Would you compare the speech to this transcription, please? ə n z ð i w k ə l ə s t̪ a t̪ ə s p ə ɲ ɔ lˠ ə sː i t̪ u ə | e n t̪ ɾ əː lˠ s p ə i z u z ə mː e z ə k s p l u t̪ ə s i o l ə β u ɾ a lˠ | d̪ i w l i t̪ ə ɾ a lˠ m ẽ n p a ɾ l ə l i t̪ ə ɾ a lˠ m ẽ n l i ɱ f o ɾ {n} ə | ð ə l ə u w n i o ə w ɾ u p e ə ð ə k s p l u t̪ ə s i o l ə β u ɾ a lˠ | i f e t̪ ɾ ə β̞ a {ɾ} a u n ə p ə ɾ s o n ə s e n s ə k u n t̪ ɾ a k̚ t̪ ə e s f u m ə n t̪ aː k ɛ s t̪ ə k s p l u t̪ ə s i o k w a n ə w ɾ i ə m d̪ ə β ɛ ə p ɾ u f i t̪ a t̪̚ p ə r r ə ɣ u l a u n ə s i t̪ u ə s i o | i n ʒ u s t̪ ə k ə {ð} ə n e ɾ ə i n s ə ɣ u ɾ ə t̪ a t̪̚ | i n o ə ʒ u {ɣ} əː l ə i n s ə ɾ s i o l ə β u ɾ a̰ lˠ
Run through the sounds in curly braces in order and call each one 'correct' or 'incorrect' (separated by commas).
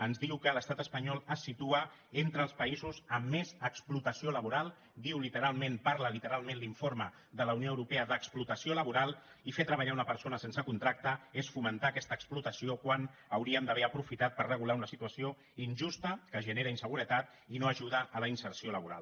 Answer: incorrect, incorrect, incorrect, incorrect